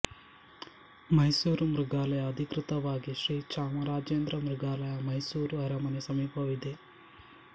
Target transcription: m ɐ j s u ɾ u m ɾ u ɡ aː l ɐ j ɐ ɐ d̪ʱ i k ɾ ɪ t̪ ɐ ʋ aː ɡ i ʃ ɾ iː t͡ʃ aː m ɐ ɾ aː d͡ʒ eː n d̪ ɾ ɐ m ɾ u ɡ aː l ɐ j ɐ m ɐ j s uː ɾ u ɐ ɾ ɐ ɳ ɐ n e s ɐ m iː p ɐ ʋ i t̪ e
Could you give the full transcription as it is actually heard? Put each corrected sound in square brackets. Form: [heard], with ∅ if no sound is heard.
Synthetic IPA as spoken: m ɐ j s [uː] ɾ u m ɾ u ɡ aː l ɐ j ɐ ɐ d̪ʱ i k ɾ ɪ t̪ ɐ ʋ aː ɡ i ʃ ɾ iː t͡ʃ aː m ɐ ɾ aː d͡ʒ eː n d̪ ɾ ɐ m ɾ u ɡ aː l ɐ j ɐ m ɐ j s uː ɾ u ɐ ɾ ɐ [m] ɐ n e s ɐ m iː p ɐ ʋ i [d̪] e